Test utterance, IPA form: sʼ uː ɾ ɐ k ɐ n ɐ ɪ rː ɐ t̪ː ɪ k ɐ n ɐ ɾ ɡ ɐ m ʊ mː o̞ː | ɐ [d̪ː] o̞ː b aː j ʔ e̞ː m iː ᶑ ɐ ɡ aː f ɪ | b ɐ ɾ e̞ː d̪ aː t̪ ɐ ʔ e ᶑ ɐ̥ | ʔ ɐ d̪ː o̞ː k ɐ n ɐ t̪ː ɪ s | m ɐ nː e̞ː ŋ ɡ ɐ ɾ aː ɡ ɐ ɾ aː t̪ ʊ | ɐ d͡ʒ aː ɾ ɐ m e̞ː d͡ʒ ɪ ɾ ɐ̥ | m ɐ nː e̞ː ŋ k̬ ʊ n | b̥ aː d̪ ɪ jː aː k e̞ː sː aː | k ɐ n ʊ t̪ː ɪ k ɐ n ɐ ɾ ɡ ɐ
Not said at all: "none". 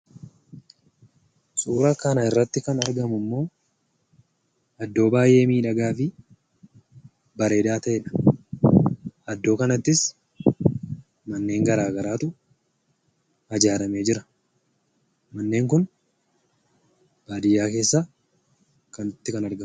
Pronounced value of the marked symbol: d̪ː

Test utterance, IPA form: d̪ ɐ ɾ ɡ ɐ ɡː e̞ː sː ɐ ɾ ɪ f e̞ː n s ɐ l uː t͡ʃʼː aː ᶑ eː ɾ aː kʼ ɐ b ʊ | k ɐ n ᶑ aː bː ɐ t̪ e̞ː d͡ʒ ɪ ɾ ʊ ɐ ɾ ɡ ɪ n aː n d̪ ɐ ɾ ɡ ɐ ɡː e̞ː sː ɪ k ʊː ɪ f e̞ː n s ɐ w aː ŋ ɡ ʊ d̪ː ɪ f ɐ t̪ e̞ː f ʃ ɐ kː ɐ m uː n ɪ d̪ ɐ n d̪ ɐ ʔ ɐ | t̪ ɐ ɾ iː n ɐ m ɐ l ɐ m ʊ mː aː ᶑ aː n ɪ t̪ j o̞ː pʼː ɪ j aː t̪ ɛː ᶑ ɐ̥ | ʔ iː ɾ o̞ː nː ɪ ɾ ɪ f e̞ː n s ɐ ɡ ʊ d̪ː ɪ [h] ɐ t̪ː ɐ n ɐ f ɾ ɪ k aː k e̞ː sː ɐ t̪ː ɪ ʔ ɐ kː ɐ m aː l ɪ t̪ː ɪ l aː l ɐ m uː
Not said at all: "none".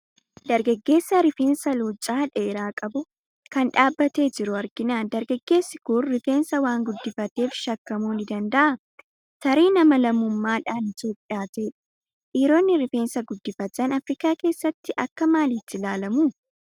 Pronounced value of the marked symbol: f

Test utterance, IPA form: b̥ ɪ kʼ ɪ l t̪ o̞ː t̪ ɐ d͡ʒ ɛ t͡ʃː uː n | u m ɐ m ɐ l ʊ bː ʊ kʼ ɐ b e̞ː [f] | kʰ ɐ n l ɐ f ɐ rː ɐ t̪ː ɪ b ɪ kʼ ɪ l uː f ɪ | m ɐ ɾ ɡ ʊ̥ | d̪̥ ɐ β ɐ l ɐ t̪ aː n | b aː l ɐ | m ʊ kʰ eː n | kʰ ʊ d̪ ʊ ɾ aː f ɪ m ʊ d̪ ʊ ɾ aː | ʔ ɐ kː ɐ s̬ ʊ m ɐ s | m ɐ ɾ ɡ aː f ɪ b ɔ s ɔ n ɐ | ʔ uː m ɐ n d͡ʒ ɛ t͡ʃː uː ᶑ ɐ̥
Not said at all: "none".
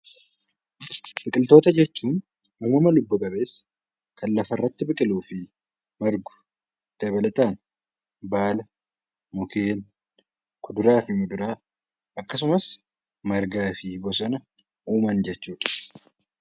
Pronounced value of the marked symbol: s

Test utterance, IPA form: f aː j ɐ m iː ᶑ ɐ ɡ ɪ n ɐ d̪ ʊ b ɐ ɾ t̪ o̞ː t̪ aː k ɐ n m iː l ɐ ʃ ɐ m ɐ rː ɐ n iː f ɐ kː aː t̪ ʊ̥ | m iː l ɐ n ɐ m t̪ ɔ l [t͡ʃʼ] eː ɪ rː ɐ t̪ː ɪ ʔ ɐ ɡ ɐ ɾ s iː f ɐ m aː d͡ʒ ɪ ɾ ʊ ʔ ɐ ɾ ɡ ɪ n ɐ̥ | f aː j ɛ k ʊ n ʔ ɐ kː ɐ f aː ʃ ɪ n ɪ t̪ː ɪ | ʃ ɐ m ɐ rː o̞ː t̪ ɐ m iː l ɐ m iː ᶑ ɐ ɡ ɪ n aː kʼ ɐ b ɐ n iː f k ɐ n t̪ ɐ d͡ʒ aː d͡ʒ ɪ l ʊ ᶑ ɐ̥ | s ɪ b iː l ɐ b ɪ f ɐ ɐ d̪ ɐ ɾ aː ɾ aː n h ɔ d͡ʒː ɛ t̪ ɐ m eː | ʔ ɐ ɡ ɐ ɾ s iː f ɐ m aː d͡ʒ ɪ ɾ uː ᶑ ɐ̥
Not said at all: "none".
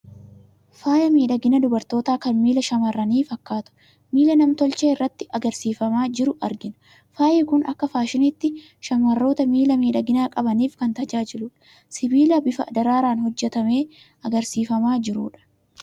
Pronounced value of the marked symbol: t͡ʃ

